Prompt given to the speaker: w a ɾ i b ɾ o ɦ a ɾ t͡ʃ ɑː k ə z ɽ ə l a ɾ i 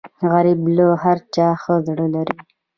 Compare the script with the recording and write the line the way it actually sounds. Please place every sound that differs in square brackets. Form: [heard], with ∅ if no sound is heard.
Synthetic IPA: [ɣ] a ɾ i b [l] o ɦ a ɾ t͡ʃ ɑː [x] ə z ɽ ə l a ɾ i